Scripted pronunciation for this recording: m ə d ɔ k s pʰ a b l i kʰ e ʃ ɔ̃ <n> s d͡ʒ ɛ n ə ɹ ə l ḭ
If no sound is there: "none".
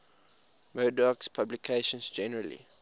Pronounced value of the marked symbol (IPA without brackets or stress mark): n